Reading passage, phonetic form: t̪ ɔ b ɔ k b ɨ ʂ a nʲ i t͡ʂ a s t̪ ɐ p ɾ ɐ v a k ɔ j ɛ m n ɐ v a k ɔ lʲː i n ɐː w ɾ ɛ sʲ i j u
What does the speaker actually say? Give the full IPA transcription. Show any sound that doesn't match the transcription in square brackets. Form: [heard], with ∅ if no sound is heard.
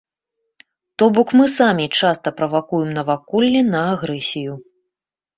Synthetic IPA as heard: t̪ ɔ b ɔ k [m] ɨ [s] a [mʲ] i t͡ʂ a s t̪ ɐ p ɾ ɐ v a k [u] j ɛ m n ɐ v a k ɔ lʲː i n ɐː [ɣ] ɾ ɛ sʲ i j u